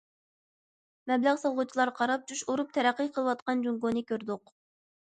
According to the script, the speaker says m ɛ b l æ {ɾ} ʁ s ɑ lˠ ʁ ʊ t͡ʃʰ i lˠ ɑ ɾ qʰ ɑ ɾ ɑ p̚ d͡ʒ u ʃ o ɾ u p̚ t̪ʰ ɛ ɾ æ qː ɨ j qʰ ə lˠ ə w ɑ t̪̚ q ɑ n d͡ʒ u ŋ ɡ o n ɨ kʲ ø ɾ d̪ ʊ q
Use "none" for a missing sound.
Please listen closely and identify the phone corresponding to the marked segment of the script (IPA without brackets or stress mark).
none